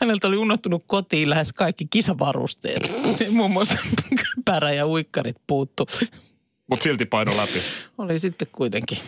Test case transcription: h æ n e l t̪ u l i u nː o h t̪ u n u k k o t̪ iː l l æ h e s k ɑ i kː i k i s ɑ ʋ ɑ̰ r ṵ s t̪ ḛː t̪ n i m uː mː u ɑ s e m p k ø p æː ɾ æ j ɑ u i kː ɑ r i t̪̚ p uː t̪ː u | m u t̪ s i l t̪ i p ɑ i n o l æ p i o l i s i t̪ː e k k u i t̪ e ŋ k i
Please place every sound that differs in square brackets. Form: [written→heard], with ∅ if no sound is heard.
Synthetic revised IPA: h æ n e l t̪ [u→o] l i u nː o h t̪ u n u k k o t̪ iː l l æ h e s k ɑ i kː i k i s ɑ ʋ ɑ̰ r ṵ s t̪ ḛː t̪ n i m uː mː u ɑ s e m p k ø p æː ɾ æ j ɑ u i kː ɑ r i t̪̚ p uː t̪ː u | m u t̪ s i l t̪ i p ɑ i n o l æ p i o l i s i t̪ː e k k u i t̪ e ŋ k i